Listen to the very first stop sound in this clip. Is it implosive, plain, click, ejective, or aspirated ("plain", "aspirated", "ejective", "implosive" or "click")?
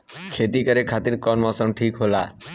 aspirated